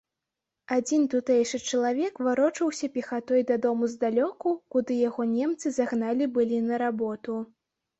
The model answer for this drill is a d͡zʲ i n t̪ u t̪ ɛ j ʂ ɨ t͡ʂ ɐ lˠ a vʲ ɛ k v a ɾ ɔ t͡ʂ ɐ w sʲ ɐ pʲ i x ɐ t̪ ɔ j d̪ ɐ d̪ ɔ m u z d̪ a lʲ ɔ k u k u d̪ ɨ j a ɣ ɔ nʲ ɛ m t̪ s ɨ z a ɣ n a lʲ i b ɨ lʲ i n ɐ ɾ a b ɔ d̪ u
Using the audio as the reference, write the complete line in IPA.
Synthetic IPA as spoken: a d͡zʲ i n t̪ u t̪ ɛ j ʂ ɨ t͡ʂ ɐ lˠ a vʲ ɛ k v a ɾ ɔ t͡ʂ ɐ w sʲ ɐ pʲ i x a t̪ ɔ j d̪ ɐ d̪ ɔ m u z d̪ a lʲ ɔ k u k u d̪ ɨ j a ɣ ɔ nʲ ɛ m t̪ s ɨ z a ɣ n a lʲ i b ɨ lʲ i n ɐ ɾ a b ɔ t̪ u